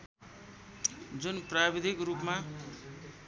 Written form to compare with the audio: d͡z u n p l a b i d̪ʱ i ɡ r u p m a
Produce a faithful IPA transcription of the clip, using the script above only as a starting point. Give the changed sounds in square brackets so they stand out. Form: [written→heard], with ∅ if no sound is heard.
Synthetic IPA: d͡z u n p [l→r] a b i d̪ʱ i [ɡ→k] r u p m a